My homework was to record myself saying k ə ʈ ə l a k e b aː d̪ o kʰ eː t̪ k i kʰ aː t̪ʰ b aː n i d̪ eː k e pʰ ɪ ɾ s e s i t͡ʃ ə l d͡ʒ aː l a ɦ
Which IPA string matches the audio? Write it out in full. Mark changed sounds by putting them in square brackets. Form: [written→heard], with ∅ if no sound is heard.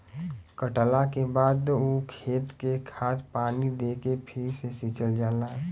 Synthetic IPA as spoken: k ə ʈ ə l a k e b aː d̪ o kʰ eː t̪ k [i→e] kʰ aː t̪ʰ [b→p] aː n i d̪ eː k e pʰ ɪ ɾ s e s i t͡ʃ ə l d͡ʒ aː l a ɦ